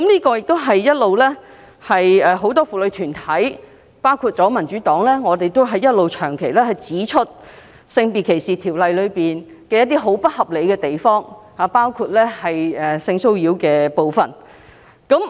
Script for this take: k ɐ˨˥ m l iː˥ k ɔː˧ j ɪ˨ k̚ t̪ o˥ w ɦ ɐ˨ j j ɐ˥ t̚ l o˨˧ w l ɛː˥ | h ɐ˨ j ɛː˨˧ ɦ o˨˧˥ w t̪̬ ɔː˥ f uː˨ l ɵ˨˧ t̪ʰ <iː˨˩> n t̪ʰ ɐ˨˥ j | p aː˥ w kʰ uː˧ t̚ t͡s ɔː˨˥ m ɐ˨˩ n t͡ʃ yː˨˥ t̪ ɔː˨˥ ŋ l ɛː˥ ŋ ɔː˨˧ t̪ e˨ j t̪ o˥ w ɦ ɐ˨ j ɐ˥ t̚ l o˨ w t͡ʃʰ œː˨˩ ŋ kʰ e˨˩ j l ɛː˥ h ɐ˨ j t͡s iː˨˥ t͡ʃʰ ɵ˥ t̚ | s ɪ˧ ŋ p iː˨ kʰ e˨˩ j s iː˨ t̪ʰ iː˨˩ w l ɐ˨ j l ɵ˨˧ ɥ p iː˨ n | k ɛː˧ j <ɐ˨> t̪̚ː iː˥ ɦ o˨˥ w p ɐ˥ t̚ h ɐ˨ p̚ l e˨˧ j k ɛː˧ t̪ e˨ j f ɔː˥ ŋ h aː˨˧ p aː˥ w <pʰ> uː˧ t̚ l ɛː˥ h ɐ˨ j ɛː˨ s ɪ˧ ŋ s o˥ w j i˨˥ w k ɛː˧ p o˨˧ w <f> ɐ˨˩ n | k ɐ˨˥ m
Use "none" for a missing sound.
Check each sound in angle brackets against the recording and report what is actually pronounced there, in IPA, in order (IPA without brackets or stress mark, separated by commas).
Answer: yː˨˩, ɐ˥, kʰ, f